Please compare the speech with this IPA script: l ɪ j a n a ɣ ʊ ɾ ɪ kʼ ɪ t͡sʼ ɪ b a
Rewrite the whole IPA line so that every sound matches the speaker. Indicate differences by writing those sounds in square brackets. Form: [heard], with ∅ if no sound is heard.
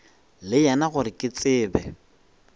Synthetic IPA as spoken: l ɪ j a n a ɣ ʊ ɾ ɪ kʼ ɪ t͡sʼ [ɪː] b [ɛ]